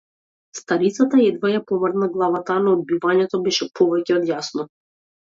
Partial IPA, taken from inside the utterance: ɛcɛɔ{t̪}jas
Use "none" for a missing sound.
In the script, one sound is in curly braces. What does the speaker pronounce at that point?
d̪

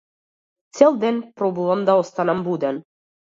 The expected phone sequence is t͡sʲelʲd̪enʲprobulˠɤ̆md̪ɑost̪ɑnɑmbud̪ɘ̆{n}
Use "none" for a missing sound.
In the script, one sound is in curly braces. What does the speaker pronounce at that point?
n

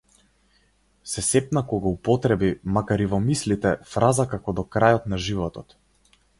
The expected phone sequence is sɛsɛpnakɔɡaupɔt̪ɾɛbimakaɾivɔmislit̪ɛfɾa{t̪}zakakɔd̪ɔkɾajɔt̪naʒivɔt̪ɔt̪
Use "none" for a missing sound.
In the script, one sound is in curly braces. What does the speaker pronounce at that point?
none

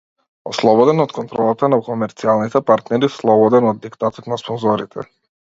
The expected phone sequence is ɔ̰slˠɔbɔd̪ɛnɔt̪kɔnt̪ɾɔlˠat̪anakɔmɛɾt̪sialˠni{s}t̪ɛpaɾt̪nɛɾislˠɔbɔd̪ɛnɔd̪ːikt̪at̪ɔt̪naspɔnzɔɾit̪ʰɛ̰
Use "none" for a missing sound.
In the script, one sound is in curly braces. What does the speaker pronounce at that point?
none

